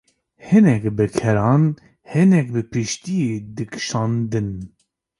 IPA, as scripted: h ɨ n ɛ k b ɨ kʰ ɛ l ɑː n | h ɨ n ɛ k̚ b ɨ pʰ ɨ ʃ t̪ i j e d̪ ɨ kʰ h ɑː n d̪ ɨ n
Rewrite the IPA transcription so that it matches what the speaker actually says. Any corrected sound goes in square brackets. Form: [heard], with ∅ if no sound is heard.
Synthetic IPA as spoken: h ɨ n ɛ k b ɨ kʰ ɛ [ɾ] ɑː n | h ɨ n ɛ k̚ b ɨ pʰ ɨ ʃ t̪ i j e d̪ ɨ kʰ [ʃ] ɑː n d̪ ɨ n